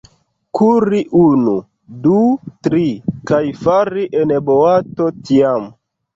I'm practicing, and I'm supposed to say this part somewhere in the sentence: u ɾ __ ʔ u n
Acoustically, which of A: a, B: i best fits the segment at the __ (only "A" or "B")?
B